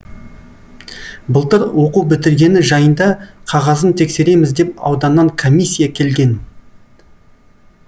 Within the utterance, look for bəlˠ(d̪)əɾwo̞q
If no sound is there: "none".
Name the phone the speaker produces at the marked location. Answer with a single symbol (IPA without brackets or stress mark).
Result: t̪